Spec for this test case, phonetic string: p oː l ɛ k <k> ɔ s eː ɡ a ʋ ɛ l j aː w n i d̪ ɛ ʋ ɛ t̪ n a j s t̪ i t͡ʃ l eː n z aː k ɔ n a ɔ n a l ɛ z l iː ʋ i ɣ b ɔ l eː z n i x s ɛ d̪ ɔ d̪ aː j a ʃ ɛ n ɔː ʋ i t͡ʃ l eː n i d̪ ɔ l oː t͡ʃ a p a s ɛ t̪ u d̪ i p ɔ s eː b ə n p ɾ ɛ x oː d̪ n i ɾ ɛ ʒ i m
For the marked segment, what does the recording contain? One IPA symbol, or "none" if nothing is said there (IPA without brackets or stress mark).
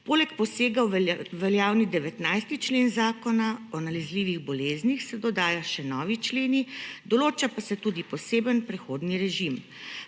p